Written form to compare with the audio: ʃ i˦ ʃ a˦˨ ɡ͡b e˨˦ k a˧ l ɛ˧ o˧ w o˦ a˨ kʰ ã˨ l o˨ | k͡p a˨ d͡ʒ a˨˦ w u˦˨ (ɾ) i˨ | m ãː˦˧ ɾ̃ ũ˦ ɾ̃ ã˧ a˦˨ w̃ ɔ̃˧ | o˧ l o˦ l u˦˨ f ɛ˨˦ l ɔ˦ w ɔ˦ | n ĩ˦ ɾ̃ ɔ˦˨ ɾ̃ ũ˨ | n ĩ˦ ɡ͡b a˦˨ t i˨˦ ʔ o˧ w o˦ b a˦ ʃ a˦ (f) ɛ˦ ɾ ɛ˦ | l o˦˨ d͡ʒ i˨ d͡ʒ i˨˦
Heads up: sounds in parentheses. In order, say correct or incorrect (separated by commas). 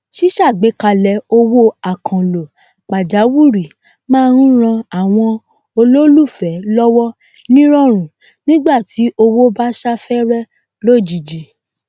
correct, correct